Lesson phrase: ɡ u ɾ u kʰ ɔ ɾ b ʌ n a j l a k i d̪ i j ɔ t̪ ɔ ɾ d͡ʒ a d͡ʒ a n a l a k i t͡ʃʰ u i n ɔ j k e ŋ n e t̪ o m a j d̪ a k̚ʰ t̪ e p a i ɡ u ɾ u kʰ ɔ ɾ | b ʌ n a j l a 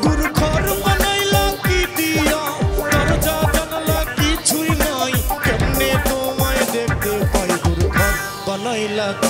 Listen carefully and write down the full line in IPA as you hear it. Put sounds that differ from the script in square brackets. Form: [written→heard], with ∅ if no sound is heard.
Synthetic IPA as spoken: ɡ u ɾ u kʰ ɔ ɾ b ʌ n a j l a k i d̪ i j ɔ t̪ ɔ ɾ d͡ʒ a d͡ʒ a n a l a k i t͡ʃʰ u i n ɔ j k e [ŋ→m] n e t̪ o m a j d̪ [a→e] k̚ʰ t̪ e p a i ɡ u ɾ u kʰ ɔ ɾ | b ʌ n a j l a